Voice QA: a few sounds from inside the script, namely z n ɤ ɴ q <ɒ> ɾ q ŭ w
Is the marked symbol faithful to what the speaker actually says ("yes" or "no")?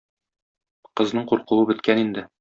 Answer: no